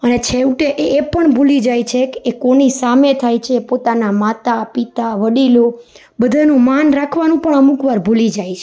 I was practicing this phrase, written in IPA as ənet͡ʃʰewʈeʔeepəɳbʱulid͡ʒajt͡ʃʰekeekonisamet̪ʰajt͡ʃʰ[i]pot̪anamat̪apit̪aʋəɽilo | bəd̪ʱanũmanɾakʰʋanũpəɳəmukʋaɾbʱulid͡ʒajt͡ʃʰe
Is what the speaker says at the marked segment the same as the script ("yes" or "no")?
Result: no